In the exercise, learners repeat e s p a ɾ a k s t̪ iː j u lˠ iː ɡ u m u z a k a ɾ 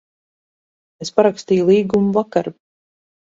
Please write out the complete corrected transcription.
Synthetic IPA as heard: e s p a ɾ a k s t̪ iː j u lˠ iː ɡ u m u v a k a ɾ